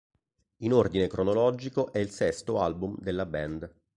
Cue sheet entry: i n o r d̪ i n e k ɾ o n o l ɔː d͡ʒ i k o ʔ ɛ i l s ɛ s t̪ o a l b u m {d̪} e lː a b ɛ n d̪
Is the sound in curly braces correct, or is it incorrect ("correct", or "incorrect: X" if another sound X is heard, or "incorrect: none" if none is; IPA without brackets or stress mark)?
correct